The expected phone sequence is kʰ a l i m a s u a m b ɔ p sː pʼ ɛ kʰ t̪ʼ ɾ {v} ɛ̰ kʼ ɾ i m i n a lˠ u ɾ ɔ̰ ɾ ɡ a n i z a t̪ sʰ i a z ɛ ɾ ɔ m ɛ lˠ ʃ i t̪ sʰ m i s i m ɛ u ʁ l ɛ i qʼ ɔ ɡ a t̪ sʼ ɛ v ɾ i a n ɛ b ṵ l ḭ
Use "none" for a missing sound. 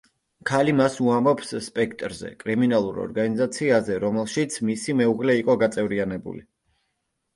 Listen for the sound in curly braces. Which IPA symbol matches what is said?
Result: z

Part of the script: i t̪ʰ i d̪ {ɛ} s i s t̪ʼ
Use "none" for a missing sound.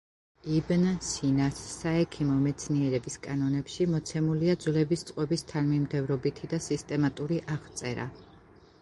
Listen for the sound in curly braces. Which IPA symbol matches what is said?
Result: a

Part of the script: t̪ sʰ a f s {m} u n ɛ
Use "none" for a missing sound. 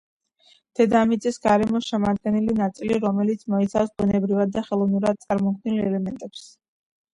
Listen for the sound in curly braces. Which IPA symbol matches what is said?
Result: b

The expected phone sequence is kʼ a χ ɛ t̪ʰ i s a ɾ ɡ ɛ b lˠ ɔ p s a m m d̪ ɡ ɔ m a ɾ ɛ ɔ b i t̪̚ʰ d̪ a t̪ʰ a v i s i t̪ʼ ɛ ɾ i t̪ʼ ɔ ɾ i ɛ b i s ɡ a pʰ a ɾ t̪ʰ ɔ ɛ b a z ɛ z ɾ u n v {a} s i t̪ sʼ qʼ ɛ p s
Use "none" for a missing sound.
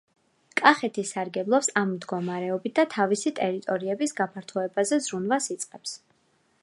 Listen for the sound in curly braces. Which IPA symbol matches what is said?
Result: a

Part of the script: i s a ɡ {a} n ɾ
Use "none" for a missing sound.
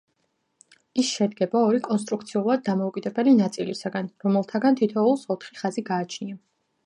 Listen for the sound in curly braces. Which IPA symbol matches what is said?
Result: a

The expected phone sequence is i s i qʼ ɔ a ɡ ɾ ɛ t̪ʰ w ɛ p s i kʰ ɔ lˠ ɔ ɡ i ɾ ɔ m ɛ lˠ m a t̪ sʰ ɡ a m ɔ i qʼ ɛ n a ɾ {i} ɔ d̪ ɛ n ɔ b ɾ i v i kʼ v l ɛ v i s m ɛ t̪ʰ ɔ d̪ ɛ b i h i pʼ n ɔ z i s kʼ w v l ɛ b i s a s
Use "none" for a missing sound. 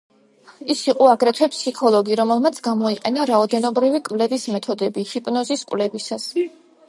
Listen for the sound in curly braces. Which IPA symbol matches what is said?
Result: a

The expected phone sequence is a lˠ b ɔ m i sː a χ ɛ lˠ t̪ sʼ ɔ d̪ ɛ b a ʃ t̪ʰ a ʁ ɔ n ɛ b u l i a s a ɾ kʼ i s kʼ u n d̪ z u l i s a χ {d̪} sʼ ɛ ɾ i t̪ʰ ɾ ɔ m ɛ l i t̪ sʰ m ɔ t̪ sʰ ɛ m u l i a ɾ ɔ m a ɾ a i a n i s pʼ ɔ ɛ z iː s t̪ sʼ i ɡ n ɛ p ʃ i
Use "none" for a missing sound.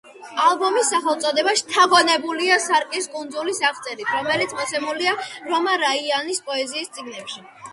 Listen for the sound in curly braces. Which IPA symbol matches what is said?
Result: t̪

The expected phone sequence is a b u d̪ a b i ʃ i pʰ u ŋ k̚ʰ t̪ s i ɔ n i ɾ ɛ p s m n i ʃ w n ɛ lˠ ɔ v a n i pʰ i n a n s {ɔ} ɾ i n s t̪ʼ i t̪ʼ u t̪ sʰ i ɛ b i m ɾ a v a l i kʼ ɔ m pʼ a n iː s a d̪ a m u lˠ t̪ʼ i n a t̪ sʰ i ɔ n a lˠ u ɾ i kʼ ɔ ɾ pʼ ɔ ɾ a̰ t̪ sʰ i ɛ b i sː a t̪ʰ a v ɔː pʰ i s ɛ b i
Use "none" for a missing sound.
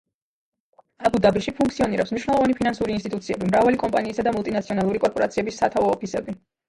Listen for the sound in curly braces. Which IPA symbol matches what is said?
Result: u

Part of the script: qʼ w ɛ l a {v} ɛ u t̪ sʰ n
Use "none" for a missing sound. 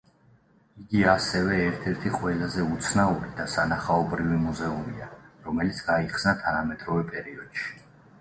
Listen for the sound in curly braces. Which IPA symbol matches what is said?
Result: z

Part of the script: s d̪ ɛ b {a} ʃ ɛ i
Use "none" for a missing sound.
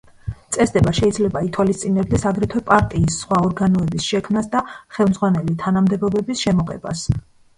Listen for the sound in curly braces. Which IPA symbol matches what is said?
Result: a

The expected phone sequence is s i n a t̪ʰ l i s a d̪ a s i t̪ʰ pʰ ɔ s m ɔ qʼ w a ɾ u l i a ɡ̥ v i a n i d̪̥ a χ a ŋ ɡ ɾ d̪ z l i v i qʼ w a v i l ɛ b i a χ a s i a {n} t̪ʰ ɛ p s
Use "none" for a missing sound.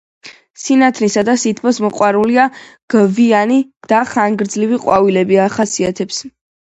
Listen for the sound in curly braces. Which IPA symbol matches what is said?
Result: none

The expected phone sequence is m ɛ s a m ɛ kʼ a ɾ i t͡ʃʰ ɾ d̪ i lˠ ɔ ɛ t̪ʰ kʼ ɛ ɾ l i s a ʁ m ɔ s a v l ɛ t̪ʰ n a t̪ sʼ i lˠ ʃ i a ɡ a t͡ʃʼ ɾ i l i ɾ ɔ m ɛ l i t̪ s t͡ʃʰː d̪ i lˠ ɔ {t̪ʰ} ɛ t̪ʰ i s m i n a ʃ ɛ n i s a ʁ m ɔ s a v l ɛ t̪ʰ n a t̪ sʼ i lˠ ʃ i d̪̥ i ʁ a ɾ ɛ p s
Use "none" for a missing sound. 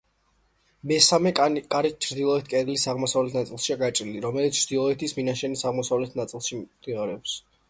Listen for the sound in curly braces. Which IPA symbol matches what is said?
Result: none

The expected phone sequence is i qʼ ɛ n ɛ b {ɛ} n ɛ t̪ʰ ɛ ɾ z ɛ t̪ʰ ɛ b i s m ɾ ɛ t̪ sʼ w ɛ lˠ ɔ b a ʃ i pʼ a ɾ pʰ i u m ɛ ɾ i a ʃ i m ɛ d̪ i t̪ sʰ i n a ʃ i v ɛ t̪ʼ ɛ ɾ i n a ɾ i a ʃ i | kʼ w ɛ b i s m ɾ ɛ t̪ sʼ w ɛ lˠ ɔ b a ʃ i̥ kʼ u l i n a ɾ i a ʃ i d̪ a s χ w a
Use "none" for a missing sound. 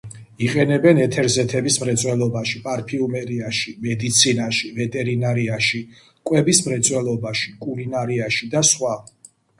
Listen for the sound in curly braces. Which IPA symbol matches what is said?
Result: ɛ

